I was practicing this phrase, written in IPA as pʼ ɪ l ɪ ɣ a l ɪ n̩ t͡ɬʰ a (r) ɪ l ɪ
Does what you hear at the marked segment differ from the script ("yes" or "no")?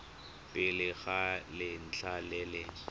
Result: yes